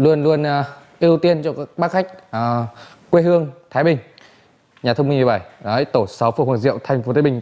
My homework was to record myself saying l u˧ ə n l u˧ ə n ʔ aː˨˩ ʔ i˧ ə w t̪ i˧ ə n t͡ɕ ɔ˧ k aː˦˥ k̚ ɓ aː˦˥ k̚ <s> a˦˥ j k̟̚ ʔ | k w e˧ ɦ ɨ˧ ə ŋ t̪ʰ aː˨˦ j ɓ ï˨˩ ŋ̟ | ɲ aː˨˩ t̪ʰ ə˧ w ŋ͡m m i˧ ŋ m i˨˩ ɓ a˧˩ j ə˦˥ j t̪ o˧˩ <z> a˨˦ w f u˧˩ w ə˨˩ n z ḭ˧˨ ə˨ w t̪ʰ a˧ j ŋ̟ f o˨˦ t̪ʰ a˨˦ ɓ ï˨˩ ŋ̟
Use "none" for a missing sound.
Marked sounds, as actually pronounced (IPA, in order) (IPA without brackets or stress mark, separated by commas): x, s